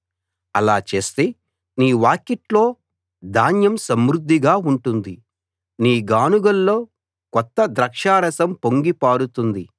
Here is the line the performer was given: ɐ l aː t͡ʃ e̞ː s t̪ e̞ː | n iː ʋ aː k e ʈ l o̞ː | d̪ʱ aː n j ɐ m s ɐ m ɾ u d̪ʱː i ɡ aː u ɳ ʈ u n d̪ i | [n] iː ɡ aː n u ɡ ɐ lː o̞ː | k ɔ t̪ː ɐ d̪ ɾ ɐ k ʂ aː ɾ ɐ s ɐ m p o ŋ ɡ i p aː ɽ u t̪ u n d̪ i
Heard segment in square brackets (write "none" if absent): n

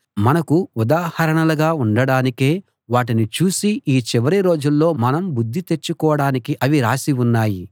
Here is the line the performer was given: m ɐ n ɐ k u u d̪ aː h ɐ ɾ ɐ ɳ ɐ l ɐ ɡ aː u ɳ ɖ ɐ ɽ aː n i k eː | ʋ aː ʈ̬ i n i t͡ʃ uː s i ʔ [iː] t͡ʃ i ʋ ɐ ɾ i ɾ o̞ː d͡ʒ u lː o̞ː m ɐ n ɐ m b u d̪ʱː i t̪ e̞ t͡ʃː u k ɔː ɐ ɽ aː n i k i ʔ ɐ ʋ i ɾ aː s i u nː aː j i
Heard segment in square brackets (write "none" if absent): iː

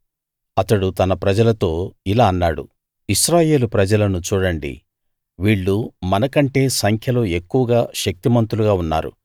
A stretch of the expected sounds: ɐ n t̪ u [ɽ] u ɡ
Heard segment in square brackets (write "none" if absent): l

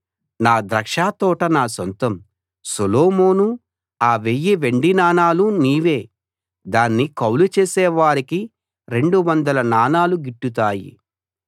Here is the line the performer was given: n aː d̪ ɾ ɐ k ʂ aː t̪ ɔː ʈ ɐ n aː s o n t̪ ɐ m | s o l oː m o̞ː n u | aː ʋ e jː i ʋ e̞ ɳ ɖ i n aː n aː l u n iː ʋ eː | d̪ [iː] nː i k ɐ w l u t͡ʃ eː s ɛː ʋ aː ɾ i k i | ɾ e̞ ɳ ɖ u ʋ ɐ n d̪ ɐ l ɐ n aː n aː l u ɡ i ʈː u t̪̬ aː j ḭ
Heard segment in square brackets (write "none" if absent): aː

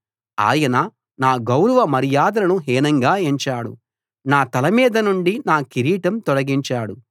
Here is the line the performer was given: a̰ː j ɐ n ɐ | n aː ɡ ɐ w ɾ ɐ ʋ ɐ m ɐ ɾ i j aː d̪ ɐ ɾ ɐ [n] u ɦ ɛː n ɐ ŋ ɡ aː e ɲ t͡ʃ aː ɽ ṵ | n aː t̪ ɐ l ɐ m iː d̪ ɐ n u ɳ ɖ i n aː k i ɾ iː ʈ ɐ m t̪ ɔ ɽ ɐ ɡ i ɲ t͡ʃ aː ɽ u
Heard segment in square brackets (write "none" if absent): n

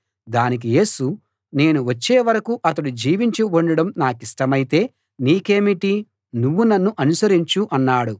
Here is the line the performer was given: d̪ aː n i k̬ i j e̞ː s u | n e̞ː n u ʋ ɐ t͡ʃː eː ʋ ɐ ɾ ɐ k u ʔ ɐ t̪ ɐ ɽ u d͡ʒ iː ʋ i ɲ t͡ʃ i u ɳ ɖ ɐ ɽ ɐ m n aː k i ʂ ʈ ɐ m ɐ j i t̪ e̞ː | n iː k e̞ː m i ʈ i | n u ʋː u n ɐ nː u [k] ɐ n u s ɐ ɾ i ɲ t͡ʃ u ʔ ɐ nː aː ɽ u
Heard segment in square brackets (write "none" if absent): ʔ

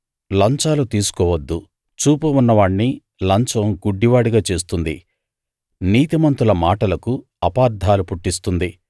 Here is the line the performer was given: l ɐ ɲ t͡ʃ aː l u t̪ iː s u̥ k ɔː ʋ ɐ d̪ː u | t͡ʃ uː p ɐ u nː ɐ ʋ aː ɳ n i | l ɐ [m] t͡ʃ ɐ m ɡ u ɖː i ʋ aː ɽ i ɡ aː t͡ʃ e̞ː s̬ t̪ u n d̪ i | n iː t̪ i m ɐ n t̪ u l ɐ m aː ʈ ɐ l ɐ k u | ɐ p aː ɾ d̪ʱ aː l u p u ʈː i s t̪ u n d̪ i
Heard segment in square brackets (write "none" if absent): ɲ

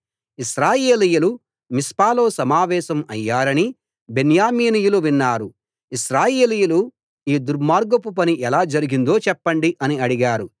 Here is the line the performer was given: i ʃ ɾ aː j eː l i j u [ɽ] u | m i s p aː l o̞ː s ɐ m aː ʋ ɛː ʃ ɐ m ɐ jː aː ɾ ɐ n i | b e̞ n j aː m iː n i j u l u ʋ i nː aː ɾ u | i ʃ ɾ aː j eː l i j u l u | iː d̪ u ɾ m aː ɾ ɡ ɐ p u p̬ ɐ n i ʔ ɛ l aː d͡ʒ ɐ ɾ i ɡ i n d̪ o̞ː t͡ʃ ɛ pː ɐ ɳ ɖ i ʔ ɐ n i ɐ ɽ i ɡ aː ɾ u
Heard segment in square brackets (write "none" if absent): l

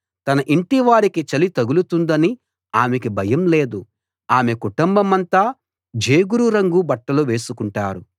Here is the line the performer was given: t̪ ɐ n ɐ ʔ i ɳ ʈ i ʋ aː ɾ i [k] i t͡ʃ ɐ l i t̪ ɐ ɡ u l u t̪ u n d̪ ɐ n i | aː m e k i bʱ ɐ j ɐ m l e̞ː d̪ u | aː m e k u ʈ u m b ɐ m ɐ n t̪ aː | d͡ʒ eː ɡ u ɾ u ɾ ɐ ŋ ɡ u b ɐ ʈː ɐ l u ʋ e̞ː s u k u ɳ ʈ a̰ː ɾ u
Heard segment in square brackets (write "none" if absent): k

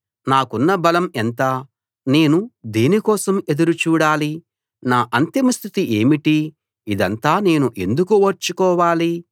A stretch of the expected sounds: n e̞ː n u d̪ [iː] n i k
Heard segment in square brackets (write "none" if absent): iː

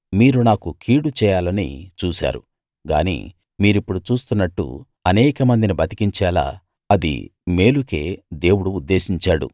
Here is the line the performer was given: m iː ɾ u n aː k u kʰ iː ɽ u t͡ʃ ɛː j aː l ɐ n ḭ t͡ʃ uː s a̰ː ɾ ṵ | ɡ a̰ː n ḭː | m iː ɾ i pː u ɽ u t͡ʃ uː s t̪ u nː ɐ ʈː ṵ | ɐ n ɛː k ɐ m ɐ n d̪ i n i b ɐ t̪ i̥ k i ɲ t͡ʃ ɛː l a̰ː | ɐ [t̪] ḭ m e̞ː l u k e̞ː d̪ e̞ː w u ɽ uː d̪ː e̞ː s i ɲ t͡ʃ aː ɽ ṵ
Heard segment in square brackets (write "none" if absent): d̪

